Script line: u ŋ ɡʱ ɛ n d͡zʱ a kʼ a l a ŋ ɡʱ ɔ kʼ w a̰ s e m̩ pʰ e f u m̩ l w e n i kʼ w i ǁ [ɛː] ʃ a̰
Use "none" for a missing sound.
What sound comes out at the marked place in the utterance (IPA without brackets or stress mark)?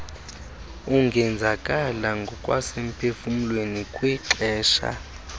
ɛː